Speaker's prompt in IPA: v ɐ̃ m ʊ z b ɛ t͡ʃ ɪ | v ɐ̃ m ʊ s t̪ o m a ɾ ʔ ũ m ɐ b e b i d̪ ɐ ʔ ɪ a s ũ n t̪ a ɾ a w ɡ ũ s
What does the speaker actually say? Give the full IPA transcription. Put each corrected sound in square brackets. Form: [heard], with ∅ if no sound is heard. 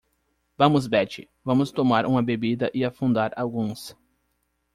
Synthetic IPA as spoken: v ɐ̃ m ʊ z b ɛ t͡ʃ ɪ | v ɐ̃ m ʊ s t̪ o m a ɾ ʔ ũ m ɐ b e b i d̪ ɐ ʔ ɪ a [f] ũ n [d̪] a ɾ a w ɡ ũ s